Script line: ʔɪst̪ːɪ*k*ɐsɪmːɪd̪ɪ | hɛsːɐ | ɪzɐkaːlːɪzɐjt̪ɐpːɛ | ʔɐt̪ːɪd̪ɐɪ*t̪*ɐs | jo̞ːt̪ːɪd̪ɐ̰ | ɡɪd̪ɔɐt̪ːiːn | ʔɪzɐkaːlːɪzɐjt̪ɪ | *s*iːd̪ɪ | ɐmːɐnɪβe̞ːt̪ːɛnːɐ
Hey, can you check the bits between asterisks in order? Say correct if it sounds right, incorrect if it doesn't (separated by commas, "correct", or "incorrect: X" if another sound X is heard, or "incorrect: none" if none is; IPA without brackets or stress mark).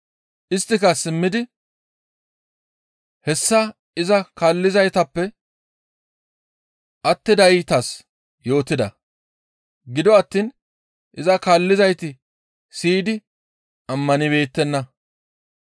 correct, correct, correct